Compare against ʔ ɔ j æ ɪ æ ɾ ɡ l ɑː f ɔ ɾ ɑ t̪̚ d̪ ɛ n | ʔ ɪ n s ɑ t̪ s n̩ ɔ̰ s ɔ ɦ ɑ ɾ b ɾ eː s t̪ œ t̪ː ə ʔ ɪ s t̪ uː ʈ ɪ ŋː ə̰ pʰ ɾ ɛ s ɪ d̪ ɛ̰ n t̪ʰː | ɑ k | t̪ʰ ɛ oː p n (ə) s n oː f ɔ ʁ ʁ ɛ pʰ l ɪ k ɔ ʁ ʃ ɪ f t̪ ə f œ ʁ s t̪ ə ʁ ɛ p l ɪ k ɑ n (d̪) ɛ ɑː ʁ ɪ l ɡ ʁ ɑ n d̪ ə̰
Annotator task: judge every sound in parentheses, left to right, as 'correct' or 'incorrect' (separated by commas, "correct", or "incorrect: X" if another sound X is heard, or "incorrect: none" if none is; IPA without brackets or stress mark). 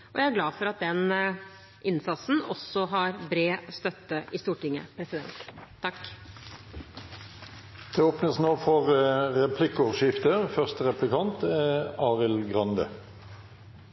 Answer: correct, incorrect: t̪